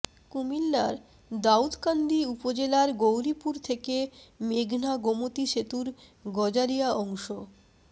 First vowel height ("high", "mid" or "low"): high